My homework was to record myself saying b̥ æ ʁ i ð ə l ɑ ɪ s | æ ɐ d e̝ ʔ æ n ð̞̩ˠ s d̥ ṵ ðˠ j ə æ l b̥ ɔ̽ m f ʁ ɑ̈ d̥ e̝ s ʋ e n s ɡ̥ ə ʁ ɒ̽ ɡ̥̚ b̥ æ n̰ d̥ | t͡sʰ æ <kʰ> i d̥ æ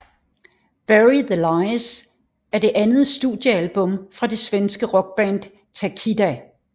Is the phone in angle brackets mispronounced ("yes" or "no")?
no